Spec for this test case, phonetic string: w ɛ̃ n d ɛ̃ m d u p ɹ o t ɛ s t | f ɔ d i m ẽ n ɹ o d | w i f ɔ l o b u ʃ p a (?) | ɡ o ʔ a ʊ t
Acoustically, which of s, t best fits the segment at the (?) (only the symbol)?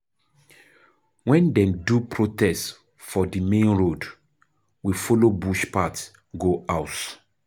t